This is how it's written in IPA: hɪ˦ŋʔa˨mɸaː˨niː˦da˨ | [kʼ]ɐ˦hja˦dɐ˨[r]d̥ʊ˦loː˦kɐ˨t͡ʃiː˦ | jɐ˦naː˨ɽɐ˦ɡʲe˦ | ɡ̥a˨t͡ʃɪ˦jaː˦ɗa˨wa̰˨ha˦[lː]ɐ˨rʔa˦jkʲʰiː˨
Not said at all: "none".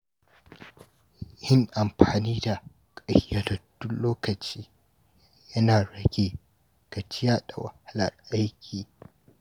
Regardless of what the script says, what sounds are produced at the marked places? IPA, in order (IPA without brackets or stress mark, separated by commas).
kʼ, none, l